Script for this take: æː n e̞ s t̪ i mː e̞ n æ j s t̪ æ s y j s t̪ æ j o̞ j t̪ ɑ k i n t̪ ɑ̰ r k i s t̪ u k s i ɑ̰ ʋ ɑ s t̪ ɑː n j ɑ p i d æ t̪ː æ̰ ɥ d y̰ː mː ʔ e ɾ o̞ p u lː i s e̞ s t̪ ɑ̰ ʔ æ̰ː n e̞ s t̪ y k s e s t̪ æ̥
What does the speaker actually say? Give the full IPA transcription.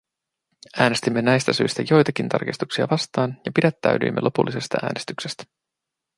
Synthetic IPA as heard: æː n e̞ s t̪ i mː e̞ n æ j s t̪ æ s y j s t̪ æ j o̞ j t̪ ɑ k i n t̪ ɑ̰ r k i s t̪ u k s i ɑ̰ ʋ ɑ s t̪ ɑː n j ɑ p i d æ t̪ː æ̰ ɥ d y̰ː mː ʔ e l o̞ p u lː i s e̞ s t̪ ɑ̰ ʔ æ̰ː n e̞ s t̪ y k s e s t̪ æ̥

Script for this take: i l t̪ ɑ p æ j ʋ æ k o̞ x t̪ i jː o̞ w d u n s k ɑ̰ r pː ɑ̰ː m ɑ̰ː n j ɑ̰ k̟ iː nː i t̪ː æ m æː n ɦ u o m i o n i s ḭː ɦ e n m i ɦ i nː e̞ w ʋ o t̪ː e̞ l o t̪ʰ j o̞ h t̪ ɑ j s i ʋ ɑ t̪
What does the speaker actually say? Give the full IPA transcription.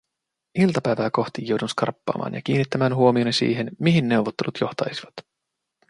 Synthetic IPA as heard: i l t̪ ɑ p æ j ʋ æː k o̞ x t̪ i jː o̞ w d u n s k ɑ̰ r pː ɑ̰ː m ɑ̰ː n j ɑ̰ k̟ iː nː i t̪ː æ m æː n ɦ u o m i o n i s ḭː ɦ e n m i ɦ i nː e̞ w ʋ o t̪ː e̞ l u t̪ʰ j o̞ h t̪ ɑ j s i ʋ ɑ t̪

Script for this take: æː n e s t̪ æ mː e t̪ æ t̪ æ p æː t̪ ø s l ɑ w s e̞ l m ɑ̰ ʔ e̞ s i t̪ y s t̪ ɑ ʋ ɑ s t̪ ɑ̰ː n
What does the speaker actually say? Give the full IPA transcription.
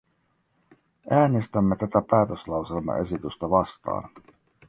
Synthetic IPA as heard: æː n e s t̪ æ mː e t̪ æ t̪ æ p æː t̪ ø s l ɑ w s e̞ l m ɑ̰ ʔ e̞ s i t̪ y s t̪ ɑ ʋ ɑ s t̪ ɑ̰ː n

